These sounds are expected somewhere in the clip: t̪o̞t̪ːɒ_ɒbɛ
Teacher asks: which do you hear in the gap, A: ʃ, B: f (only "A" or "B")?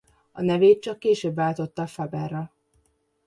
B